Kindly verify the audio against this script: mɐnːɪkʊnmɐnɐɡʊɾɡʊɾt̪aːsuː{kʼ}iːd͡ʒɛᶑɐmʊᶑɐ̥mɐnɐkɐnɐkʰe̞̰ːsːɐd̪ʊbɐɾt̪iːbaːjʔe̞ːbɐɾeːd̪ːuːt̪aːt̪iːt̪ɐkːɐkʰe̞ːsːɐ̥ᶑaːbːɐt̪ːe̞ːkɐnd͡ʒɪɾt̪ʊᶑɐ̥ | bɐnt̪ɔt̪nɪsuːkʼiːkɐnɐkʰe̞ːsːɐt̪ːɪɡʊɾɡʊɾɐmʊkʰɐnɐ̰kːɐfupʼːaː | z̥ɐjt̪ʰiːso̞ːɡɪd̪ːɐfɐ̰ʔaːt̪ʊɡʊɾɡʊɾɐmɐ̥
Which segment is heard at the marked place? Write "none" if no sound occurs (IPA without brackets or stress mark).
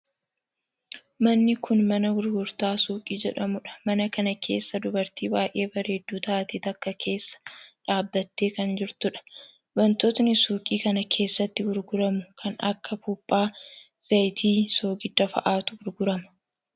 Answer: kʼ